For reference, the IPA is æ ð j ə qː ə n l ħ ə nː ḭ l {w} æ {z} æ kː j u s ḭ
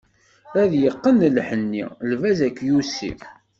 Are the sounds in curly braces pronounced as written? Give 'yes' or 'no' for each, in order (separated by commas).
no, yes